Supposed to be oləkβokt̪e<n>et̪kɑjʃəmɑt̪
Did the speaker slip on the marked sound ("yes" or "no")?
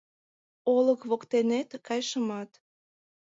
no